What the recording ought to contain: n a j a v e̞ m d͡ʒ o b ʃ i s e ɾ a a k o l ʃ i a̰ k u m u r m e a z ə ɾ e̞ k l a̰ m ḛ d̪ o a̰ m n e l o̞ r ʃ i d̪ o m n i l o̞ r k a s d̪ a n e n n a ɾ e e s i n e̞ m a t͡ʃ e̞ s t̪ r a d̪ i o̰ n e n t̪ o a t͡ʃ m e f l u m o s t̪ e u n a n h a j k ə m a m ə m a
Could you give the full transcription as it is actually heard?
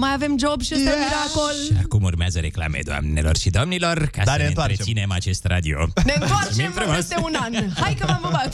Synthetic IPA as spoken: m a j a v e̞ m d͡ʒ o b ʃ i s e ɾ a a k o l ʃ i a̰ k u m u r m e a z ə ɾ e̞ k l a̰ m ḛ d̪ o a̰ m n e l o̞ r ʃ i d̪ o m n i l o̞ r k a s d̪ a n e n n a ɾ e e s i n e̞ m a t͡ʃ e̞ s t̪ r a d̪ i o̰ n e n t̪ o a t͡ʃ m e f ɾ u m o s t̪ e u n a n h a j k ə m a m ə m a